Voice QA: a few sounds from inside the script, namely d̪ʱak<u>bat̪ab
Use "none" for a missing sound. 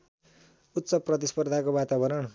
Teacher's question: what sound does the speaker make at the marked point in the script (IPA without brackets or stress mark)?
o